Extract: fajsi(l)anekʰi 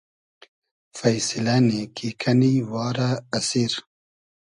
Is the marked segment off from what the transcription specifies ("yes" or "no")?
no